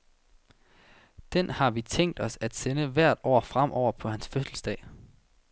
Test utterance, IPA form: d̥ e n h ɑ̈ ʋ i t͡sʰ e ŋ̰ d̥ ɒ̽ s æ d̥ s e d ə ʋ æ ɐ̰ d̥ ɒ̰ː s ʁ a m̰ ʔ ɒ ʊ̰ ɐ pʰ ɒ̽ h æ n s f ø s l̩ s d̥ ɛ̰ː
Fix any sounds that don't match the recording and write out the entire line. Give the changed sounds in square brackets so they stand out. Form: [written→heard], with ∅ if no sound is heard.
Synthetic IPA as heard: d̥ e n h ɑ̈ ʋ i t͡sʰ e ŋ̰ d̥ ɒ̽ s æ d̥ s e [d→n] ə ʋ æ ɐ̰ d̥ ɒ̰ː [s→f] ʁ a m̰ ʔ ɒ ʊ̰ ɐ pʰ ɒ̽ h æ n s f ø s l̩ s d̥ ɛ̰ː